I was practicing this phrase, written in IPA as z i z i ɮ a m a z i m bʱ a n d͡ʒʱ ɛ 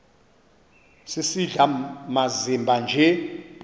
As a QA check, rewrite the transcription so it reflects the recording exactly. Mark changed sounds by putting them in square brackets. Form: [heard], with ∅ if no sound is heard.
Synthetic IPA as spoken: [s] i [s] i ɮ a m a z i m bʱ a n d͡ʒʱ ɛ